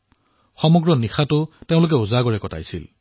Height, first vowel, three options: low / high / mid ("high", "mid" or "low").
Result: mid